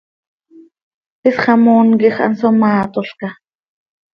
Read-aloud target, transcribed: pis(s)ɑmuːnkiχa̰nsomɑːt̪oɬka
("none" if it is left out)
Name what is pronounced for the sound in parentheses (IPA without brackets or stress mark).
χ